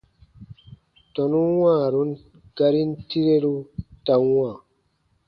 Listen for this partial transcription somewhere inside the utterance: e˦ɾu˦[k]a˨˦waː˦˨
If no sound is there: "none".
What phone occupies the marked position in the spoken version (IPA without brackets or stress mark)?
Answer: t